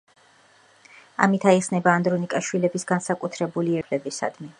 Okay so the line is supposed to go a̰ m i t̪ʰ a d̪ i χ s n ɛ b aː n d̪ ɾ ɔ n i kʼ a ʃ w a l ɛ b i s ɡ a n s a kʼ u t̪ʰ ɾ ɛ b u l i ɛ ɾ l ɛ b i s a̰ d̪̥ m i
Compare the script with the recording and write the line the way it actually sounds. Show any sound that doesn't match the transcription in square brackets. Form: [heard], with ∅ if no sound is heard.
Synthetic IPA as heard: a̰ m i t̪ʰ a [∅] i χ s n ɛ b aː n d̪ ɾ ɔ n i kʼ a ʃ w [i] l ɛ b i s ɡ a n s a kʼ u t̪ʰ ɾ ɛ b u l i ɛ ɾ l ɛ b i s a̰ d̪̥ m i